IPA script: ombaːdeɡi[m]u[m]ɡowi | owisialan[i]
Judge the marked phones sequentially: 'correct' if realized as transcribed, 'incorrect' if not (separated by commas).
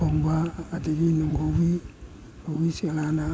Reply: incorrect, incorrect, incorrect